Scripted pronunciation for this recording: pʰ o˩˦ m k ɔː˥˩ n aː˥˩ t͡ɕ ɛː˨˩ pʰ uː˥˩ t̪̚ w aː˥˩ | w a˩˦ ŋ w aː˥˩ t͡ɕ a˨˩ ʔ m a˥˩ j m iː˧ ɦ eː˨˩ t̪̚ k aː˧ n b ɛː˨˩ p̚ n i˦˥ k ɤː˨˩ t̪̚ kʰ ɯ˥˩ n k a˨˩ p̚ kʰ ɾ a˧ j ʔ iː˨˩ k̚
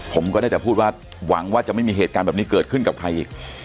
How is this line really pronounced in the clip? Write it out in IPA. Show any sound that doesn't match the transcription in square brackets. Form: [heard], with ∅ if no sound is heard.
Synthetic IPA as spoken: pʰ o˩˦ m k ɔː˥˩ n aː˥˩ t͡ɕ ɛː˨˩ pʰ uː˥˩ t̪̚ w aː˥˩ | w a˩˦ ŋ w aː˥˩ t͡ɕ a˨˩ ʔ m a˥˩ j m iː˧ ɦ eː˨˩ t̪̚ k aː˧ n b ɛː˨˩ p̚ n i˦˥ k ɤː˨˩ t̪̚ kʰ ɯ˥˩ n k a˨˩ p̚ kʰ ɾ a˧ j ʔ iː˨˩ k̚